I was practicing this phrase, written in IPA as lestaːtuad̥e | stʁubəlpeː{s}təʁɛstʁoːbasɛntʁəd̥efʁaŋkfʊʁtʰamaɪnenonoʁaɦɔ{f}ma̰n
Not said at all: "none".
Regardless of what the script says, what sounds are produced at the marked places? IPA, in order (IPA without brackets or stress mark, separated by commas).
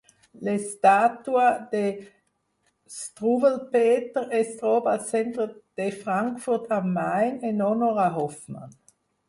none, f